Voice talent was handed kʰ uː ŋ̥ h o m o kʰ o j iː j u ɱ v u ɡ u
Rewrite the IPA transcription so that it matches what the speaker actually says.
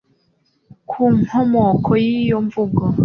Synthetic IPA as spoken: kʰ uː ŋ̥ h o m o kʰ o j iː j o ɱ v u ɡ o

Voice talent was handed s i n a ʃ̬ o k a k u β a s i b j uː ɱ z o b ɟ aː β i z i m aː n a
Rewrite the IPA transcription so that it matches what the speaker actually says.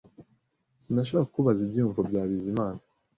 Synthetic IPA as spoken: s i n a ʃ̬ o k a k u β a z i b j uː ɱ v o b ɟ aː β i z i m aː n a

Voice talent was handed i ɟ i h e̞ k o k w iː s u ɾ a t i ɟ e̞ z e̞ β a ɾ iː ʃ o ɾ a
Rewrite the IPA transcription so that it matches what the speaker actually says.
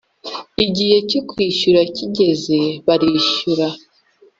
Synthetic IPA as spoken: i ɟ i h e̞ c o k w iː ʃ u ɾ a c i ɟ e̞ z e̞ β a ɾ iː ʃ u ɾ a

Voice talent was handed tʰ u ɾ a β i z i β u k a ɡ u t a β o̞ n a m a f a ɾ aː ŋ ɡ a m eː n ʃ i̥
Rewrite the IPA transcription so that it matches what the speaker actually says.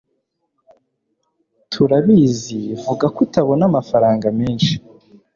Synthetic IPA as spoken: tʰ u ɾ a β i z i v u ɡ a k u t a β o̞ n a m a f a ɾ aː ŋ ɡ a m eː n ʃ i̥

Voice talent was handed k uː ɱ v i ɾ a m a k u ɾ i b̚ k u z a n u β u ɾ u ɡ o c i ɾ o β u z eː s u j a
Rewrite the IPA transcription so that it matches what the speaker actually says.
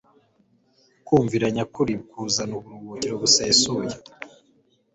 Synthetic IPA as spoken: k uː ɱ v i ɾ a ɲ a k u ɾ i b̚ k u z a n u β u ɾ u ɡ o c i ɾ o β u s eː s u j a

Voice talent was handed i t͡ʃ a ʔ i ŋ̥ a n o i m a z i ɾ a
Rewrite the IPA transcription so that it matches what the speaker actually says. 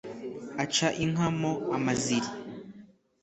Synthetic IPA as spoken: a t͡ʃ a ʔ i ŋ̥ a m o a m a z i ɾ i

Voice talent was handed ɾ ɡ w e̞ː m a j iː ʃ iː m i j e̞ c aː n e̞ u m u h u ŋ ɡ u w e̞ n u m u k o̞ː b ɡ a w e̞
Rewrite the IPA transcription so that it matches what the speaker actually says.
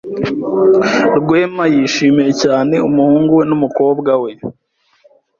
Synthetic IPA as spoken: ɾ ɡ w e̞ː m a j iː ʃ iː m i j e̞ c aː n e̞ u m u h uː ŋ ɡ u w e̞ n u m u k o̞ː b ɡ a w e̞

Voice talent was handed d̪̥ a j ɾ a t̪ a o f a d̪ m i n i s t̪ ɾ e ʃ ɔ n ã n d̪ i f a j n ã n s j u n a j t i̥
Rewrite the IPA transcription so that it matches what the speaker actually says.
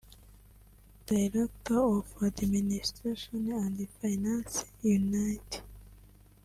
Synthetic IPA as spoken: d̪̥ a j ɾ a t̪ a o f a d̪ m i n i s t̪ ɾ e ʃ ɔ n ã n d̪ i f a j n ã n s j u n a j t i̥

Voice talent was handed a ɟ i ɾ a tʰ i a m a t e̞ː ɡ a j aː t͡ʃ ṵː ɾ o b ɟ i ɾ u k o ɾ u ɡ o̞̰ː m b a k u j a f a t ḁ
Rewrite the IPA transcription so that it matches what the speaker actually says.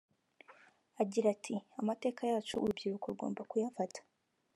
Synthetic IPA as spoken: a ɟ i ɾ a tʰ i a m a t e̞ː k a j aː t͡ʃ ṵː ɾ u b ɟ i ɾ u k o ɾ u ɡ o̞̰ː m b a k u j a f a t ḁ

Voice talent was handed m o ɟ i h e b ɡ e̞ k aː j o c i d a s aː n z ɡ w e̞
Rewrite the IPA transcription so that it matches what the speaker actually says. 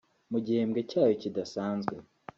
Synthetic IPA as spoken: m u ɟ i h e m ɡ e̞ c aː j o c i d a s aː n z ɡ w e̞

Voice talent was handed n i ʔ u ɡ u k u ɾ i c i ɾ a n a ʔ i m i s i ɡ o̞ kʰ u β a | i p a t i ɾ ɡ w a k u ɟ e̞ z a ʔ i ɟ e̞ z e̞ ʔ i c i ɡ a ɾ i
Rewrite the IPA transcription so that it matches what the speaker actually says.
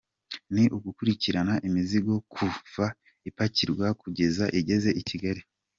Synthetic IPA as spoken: n i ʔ u ɡ u k u ɾ i c i ɾ a n a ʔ i m i z i ɡ o̞ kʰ u v a | i p a c i ɾ ɡ w a k u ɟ e̞ z a ʔ i ɟ e̞ z e̞ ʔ i c i ɡ a ɾ i

